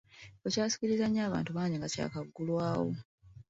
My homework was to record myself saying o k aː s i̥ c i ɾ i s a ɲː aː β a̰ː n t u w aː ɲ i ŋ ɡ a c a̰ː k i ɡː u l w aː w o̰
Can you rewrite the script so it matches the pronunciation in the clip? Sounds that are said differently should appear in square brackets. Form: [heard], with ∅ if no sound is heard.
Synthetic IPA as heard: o [c] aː s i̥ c i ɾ i [z] a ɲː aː β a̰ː n t u [β] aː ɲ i ŋ ɡ a c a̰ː k [a] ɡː u l w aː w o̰